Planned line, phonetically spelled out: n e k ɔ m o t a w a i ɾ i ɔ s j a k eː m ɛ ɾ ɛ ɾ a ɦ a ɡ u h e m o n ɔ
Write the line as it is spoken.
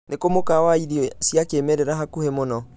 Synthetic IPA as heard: n e k o m o k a w a i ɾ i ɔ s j a k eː m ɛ ɾ ɛ ɾ a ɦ a k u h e m o n ɔ